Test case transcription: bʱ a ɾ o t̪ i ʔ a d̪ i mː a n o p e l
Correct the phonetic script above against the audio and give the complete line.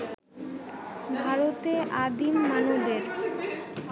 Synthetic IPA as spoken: bʱ a ɾ o t̪ e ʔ a d̪ i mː a n o b e ɾ